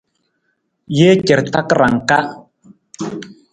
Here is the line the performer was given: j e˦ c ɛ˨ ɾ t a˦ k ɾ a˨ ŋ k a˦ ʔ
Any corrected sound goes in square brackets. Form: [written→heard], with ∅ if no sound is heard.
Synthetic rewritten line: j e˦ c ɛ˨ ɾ t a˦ k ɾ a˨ ŋ k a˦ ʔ